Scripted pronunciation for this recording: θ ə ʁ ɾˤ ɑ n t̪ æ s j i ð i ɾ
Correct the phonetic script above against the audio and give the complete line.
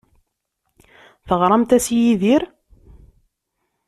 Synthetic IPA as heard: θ ə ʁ ɾˤ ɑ m t̪ æ s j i ð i ɾ